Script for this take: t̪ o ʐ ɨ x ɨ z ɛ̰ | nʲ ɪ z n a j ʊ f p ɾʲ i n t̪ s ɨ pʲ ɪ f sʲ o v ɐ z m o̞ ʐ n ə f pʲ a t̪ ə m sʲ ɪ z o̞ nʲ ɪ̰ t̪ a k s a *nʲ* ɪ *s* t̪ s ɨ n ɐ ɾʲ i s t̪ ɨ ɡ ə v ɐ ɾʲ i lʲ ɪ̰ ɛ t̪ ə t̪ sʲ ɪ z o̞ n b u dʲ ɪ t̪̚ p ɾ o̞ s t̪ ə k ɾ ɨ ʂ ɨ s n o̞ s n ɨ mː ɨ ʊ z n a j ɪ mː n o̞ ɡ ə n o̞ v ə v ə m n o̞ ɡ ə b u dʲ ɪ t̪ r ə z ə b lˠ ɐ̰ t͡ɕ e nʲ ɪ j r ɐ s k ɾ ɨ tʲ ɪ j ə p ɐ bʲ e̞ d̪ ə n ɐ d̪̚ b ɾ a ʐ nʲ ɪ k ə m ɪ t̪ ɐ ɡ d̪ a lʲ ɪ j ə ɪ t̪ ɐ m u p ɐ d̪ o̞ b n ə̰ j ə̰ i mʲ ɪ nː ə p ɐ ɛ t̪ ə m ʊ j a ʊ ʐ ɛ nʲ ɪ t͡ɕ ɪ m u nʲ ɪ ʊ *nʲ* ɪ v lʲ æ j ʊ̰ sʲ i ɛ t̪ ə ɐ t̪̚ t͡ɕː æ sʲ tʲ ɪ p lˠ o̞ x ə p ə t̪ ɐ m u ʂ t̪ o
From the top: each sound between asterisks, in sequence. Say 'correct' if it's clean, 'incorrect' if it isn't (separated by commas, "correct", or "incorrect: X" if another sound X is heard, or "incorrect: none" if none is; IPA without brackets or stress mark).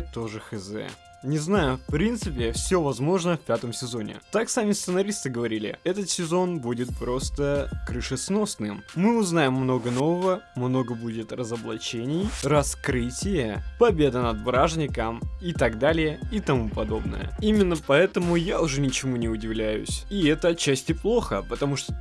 incorrect: mʲ, correct, incorrect: dʲ